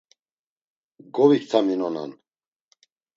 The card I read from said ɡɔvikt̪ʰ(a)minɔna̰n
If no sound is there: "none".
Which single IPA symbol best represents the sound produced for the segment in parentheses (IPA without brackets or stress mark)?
a